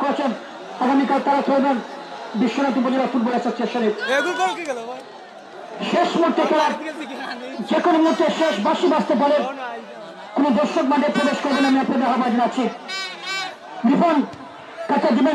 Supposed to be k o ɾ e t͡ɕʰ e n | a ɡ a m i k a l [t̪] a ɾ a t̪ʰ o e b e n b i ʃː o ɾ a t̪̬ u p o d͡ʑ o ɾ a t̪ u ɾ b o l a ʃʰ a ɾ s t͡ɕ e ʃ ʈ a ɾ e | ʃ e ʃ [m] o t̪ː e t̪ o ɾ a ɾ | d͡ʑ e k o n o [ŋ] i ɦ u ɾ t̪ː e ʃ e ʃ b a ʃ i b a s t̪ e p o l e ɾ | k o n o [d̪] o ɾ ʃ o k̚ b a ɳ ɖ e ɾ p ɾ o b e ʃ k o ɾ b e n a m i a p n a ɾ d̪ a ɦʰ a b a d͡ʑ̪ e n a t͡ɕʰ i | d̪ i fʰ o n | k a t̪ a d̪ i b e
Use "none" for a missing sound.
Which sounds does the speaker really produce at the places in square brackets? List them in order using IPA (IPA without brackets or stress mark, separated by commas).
t̪, m, m, d̪